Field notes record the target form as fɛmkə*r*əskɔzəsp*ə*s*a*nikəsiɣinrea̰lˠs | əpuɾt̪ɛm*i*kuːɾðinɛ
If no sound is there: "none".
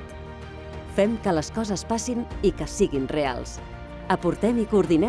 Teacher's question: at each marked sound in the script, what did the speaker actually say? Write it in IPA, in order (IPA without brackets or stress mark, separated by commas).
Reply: l, a, i, i